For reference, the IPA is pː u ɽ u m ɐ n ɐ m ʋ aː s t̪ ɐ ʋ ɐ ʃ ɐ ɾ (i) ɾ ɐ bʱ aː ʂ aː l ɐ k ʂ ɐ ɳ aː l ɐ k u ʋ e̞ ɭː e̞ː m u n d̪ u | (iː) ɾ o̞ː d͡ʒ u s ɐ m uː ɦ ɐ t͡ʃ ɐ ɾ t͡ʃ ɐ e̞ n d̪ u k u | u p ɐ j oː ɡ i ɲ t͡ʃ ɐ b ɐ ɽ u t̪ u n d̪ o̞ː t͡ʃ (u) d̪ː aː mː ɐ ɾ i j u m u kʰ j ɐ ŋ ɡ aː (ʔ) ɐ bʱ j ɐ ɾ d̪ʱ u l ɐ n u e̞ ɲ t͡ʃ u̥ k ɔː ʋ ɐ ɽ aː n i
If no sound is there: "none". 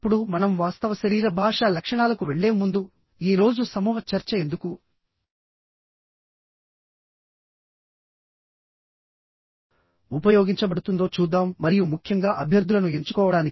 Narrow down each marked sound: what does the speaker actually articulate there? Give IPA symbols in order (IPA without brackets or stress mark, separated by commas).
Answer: iː, iː, uː, ʔ